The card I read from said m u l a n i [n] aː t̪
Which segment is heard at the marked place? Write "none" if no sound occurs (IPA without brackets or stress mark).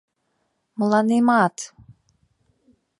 m